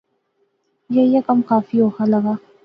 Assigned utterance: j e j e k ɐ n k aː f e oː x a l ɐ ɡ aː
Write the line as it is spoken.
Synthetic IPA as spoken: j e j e k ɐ m k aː f i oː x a l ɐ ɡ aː